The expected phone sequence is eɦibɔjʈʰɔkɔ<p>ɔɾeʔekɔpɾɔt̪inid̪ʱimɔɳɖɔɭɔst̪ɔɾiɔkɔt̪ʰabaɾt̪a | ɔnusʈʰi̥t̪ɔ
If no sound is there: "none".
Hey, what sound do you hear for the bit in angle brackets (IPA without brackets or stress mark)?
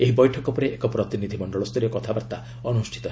p